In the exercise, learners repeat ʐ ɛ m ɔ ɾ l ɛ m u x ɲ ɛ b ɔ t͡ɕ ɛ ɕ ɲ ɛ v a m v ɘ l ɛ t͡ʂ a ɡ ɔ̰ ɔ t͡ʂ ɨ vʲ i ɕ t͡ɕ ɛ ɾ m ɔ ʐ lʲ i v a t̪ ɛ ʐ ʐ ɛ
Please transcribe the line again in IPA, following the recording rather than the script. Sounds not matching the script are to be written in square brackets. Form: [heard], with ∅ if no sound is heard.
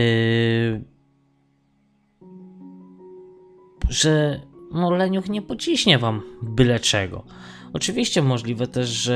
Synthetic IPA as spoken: ʐ ɛ m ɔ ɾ l ɛ [ɲ] u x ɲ ɛ [p] ɔ t͡ɕ [i] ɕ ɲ ɛ v a m [b] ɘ l ɛ t͡ʂ [ɛ] ɡ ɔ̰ ɔ t͡ʂ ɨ vʲ i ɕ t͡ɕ ɛ [∅] m ɔ ʐ lʲ i v [ɛ] t̪ ɛ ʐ ʐ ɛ